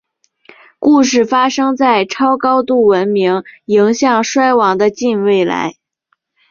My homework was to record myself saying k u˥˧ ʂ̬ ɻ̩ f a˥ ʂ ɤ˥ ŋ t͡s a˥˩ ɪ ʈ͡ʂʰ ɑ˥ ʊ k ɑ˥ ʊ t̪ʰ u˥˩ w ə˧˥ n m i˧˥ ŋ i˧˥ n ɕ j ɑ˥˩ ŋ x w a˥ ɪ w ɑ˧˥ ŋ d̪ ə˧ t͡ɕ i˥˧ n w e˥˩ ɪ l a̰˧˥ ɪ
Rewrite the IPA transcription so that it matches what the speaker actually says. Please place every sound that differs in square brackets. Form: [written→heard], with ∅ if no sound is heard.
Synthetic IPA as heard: k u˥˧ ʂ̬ ɻ̩ f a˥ ʂ ɤ˥ ŋ t͡s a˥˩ ɪ ʈ͡ʂʰ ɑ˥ ʊ k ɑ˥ ʊ [t̪ʰ→t̪] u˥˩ w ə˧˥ n m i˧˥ ŋ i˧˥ [n→ŋ] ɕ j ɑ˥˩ ŋ [x→ʂ] w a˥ ɪ w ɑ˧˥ ŋ d̪ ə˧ t͡ɕ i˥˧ n w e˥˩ ɪ l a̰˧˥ ɪ